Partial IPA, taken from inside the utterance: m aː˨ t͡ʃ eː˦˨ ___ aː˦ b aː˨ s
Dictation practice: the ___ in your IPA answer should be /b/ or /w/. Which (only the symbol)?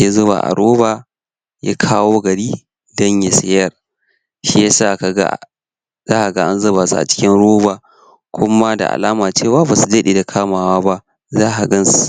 w